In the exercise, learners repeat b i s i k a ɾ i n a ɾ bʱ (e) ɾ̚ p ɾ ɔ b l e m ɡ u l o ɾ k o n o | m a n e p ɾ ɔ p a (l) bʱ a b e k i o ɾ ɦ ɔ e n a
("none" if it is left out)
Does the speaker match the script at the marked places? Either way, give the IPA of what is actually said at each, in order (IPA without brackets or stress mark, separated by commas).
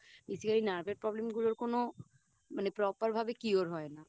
e, ɾ